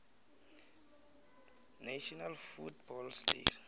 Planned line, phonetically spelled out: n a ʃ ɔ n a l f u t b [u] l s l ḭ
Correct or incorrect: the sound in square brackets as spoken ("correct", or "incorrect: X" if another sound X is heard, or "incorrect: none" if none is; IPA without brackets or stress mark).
incorrect: ɔ